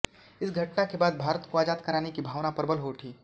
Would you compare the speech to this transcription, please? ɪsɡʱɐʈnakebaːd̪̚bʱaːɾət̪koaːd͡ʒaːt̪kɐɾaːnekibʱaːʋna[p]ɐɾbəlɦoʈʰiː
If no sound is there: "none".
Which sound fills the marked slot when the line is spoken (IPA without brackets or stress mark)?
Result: p